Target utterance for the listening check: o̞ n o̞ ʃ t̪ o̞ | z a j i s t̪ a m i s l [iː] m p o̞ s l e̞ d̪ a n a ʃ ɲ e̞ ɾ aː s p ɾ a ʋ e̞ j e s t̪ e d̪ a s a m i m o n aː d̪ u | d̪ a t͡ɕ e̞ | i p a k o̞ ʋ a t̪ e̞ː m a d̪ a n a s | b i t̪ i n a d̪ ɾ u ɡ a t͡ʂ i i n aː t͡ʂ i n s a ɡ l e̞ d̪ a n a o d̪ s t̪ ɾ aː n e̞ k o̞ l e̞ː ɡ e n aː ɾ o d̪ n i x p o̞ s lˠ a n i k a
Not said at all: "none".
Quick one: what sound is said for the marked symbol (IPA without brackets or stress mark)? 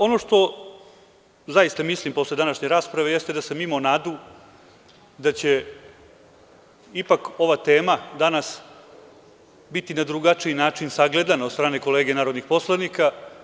i